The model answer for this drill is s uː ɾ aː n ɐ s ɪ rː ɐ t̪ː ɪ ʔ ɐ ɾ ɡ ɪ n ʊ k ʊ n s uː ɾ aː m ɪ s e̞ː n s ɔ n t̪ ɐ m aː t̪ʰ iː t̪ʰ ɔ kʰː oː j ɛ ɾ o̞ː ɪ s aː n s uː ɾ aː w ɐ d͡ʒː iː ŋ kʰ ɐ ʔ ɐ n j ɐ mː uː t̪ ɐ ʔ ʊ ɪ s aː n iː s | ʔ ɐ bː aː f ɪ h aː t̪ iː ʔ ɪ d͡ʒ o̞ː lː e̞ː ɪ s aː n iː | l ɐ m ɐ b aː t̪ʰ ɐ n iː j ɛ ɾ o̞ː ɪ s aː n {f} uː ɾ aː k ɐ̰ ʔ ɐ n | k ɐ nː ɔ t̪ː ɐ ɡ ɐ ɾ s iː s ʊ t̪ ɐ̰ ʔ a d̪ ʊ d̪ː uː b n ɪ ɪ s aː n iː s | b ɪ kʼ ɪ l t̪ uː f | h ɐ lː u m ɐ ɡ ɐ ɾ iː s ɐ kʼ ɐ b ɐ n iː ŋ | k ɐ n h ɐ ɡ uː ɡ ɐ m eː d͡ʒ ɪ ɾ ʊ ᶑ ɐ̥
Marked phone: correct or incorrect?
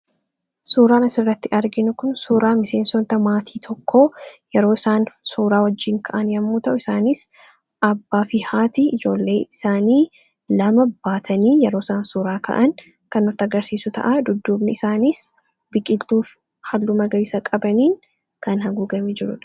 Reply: incorrect